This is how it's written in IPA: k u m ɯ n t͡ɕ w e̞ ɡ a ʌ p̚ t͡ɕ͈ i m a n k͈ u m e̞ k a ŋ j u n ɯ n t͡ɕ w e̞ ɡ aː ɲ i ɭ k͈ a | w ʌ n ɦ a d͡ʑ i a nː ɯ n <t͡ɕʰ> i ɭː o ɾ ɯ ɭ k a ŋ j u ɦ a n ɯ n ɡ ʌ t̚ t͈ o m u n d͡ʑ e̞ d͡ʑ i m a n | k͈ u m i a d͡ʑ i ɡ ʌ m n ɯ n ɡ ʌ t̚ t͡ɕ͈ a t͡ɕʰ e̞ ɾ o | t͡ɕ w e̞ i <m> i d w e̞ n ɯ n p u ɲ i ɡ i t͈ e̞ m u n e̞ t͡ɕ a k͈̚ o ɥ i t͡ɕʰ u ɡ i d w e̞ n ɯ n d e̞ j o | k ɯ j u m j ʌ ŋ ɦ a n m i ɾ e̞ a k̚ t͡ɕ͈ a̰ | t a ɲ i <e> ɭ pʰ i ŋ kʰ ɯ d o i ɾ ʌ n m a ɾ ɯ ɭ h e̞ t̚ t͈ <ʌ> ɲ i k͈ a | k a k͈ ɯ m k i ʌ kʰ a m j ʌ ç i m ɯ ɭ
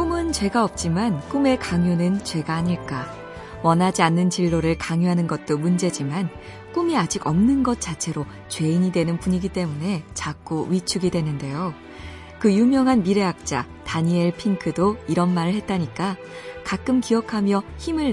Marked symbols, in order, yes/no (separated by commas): no, no, yes, no